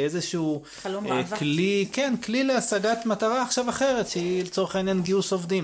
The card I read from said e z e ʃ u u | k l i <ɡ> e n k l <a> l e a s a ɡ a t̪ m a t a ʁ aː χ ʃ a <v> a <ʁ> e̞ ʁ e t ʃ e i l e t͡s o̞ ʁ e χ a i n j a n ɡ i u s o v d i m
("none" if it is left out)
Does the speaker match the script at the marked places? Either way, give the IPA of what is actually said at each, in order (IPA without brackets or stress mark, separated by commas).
k, i, v, χ